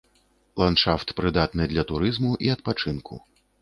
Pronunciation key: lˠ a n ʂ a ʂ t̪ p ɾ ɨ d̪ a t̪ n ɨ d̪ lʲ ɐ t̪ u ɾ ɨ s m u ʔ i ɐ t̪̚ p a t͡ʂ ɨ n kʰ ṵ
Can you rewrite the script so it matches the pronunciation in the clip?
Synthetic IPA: lˠ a n ʂ a f t̪ p ɾ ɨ d̪ a t̪ n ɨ d̪ lʲ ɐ t̪ u ɾ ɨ z m u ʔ i ɐ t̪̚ p a t͡ʂ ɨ n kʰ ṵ